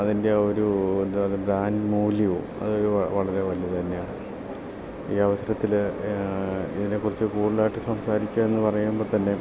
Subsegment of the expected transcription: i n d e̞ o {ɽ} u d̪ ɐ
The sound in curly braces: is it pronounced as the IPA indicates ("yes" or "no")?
no